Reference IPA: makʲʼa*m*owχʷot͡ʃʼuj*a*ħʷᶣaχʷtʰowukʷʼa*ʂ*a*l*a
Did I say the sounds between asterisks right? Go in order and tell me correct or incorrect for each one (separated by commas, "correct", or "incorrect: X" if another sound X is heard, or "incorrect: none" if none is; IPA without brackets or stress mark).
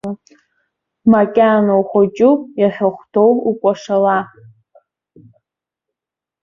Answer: incorrect: n, correct, correct, correct